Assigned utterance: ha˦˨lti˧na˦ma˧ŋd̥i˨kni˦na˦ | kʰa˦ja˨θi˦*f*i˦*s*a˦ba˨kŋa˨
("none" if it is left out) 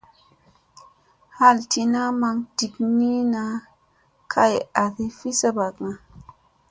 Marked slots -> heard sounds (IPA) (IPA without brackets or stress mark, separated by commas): f, s